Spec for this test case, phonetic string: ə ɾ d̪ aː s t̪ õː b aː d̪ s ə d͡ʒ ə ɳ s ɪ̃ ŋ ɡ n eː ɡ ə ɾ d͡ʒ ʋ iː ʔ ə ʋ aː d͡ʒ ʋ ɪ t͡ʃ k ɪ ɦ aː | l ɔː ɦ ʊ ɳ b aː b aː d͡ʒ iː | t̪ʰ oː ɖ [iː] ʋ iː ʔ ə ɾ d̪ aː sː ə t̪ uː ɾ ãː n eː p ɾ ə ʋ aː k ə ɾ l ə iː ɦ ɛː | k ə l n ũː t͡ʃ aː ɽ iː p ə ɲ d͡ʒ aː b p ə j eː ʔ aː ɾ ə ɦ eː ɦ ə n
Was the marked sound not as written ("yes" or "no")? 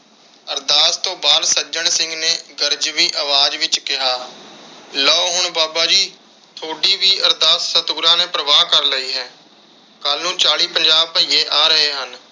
no